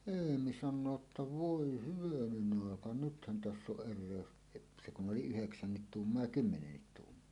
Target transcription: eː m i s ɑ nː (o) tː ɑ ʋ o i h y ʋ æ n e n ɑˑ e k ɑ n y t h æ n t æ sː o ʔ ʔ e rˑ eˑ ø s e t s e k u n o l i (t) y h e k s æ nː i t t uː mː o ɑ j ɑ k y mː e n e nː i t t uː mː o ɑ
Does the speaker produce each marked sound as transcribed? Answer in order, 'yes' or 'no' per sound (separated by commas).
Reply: no, no